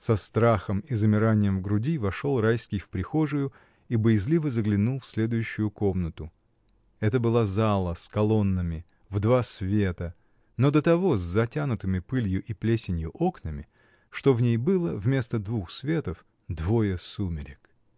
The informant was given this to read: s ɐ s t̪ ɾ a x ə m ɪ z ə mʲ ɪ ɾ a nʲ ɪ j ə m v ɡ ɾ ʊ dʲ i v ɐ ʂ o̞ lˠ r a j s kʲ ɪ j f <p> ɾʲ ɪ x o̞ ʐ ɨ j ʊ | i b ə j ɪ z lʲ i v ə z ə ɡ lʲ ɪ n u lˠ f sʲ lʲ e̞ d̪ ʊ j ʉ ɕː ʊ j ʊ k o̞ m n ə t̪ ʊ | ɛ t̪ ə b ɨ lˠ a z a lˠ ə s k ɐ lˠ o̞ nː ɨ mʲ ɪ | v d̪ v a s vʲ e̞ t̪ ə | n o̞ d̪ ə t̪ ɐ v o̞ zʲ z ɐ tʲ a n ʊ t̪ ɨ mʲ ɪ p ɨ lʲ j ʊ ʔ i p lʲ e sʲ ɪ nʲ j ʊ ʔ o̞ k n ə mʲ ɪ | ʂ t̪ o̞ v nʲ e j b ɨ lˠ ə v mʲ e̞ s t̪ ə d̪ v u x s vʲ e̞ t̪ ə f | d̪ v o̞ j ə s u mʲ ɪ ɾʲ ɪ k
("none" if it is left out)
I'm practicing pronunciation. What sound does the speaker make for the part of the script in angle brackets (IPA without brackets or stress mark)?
p